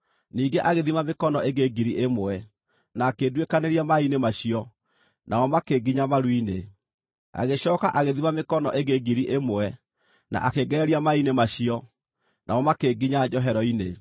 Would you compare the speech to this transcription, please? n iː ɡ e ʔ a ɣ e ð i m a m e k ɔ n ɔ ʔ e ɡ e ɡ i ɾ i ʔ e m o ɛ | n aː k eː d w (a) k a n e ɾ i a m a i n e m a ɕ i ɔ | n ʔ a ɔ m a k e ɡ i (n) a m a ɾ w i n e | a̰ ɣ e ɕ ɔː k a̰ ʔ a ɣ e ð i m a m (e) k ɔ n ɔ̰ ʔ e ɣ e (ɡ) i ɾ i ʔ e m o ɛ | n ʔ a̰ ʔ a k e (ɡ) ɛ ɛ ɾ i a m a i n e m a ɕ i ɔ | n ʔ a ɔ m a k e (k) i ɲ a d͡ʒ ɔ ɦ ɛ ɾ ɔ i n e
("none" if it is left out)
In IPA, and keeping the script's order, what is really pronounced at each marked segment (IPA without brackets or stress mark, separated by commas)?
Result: e, ɲ, e, ɡ, ɡ, ɡ